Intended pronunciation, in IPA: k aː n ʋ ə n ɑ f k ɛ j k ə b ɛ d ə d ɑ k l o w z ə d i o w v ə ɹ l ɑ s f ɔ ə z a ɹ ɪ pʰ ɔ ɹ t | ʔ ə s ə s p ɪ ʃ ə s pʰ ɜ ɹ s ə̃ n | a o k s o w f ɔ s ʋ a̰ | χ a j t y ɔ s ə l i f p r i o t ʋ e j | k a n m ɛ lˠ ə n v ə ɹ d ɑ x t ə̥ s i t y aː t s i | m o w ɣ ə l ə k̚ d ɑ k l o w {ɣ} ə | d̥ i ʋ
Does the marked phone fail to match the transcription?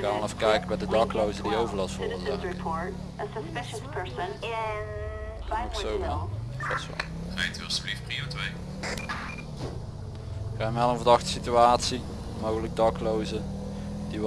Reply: yes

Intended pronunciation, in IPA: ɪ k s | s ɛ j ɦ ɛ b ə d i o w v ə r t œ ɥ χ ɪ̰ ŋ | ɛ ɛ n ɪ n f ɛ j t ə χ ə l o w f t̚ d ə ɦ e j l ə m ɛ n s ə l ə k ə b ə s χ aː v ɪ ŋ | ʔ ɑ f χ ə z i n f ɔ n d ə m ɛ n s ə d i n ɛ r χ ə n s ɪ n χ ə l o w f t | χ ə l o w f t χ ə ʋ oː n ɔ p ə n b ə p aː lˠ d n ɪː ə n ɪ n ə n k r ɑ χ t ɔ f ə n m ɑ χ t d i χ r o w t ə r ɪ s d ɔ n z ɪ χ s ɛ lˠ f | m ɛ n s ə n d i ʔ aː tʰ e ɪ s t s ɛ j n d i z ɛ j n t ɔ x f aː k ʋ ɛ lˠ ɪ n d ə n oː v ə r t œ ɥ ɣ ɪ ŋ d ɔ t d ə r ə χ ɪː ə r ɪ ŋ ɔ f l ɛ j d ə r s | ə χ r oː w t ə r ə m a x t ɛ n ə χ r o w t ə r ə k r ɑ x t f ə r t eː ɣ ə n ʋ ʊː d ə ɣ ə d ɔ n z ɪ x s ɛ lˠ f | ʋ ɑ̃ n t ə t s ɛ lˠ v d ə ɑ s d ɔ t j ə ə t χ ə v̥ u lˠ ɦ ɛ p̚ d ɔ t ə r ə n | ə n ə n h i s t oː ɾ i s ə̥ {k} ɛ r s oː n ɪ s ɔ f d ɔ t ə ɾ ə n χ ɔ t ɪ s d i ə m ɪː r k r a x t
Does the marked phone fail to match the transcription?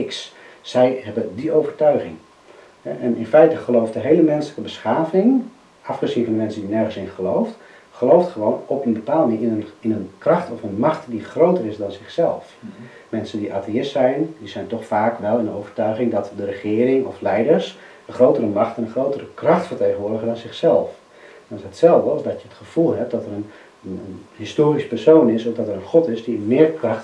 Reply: yes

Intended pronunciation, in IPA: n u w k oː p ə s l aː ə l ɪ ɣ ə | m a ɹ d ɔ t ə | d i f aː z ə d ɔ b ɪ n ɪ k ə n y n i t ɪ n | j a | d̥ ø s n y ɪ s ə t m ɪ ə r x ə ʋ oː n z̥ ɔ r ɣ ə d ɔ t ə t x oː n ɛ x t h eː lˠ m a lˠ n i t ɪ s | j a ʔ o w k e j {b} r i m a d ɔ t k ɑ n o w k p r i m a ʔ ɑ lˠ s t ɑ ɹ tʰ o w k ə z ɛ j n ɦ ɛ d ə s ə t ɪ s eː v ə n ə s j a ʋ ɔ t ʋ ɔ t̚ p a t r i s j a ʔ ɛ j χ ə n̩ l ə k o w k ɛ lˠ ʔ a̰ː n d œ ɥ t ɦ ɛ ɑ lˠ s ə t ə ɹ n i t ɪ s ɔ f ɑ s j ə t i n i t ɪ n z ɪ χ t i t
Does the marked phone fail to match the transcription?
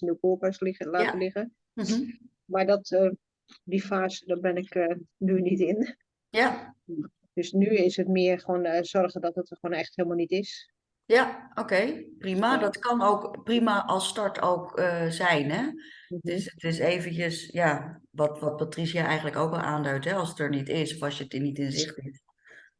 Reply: yes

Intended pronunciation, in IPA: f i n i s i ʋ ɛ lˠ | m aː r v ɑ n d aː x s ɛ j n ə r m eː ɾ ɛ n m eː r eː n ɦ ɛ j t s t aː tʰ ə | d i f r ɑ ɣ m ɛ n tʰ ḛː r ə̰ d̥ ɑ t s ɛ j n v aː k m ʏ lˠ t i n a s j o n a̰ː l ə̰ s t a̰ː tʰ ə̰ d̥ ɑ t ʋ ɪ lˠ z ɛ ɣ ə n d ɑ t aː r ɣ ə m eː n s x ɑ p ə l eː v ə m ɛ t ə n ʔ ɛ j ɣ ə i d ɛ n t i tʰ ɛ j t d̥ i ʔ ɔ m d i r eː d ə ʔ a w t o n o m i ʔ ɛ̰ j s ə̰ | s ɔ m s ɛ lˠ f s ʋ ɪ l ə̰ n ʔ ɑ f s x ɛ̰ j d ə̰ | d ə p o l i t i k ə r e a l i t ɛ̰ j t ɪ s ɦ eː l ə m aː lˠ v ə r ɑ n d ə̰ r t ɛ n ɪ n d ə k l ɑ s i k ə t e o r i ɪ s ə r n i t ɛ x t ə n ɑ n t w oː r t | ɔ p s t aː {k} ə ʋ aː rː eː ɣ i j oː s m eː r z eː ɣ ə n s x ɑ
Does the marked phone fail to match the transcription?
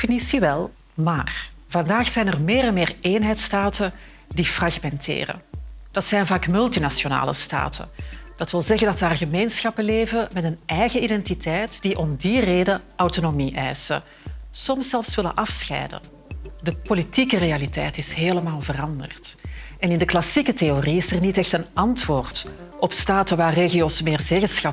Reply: yes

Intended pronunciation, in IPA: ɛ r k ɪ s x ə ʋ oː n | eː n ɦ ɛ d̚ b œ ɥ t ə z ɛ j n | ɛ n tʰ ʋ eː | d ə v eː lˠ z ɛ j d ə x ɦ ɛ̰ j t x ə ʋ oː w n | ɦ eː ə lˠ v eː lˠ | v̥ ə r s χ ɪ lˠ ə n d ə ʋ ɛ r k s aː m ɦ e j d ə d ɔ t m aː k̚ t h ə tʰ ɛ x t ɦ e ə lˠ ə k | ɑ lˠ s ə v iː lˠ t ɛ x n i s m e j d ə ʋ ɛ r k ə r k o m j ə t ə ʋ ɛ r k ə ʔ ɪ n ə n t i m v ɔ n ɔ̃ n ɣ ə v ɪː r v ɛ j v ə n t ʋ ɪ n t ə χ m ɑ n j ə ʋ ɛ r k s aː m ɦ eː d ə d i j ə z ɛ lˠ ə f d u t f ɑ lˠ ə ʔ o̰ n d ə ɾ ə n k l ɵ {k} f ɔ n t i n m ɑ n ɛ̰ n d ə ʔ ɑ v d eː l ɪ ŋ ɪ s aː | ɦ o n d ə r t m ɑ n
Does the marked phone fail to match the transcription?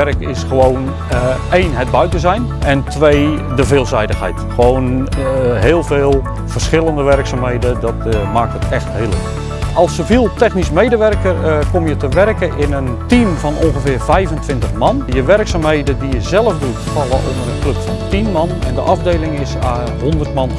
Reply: yes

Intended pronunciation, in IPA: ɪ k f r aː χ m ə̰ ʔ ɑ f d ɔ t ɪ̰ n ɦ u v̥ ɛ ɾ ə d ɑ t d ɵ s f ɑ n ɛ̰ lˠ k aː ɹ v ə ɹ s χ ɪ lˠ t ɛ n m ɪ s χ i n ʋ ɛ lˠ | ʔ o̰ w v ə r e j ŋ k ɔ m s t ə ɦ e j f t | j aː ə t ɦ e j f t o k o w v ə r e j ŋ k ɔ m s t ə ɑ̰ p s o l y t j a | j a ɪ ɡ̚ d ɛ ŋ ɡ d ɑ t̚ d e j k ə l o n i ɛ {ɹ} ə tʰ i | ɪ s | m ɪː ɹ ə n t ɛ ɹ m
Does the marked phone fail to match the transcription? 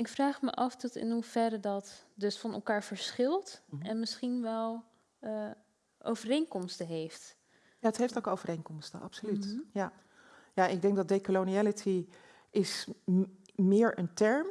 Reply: yes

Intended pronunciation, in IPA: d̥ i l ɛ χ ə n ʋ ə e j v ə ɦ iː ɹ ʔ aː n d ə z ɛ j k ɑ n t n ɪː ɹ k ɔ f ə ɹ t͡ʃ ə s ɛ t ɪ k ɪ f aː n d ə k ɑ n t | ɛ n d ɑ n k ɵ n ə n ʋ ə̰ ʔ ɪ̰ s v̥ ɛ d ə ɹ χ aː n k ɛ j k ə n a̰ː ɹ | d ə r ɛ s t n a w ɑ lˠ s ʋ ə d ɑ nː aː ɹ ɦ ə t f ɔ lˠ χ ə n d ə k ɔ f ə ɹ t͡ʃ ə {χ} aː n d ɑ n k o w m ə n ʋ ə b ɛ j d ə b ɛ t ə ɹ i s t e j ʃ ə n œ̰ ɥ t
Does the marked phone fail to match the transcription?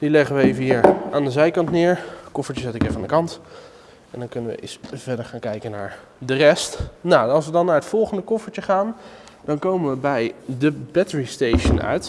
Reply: no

